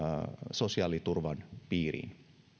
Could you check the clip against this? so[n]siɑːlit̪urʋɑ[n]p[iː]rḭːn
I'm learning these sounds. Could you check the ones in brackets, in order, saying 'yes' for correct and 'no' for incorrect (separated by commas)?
no, yes, yes